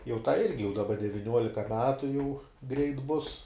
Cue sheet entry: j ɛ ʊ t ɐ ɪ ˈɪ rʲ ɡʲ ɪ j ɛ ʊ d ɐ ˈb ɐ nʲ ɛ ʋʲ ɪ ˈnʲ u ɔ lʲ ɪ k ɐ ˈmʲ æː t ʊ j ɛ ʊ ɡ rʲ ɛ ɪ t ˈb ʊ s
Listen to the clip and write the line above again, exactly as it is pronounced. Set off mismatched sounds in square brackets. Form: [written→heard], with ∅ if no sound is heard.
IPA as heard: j ɛ ʊ t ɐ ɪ ˈɪ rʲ ɡʲ ɪ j ɛ ʊ d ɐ ˈb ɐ [nʲ→dʲ] ɛ ʋʲ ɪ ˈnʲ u ɔ lʲ ɪ k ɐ ˈmʲ æː t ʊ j ɛ ʊ ɡ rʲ ɛ ɪ t ˈb ʊ s